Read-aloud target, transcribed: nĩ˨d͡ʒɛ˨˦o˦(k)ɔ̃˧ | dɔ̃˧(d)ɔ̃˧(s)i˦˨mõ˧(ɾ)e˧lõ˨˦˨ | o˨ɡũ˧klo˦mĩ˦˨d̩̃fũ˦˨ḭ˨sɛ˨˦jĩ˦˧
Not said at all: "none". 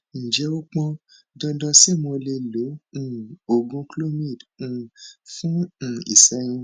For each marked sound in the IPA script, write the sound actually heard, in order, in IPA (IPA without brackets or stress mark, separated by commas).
k͡p, d, s, l